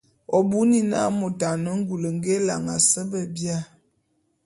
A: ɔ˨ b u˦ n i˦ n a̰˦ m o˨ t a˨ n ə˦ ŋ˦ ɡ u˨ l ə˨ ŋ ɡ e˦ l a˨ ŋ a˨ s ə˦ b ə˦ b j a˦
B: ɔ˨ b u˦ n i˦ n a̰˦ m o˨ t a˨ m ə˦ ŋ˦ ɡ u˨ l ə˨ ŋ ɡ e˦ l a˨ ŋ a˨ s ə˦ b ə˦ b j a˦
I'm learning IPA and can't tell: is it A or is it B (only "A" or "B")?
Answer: A